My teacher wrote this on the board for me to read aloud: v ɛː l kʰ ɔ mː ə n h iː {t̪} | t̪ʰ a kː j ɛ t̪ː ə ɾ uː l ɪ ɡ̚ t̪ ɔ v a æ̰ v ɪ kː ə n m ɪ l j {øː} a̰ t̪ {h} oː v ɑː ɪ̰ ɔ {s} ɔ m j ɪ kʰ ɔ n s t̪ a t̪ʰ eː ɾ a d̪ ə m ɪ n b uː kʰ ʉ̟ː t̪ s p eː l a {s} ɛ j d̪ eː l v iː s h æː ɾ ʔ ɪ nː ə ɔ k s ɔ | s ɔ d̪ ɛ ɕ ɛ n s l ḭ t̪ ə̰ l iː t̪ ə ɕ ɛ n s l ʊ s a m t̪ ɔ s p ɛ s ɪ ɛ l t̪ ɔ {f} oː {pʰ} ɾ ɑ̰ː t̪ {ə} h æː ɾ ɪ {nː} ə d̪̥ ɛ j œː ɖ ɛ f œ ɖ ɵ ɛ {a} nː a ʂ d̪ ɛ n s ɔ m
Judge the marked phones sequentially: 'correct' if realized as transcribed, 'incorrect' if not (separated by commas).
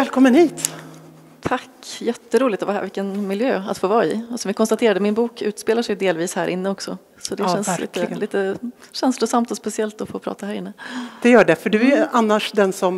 correct, correct, incorrect, correct, incorrect, correct, correct, incorrect, correct, correct